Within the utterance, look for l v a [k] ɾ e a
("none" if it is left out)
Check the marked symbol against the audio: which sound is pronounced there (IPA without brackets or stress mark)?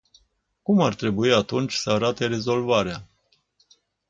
none